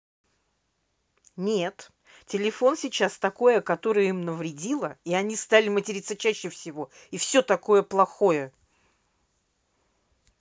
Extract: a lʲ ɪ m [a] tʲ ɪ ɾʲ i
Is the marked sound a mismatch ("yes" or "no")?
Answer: yes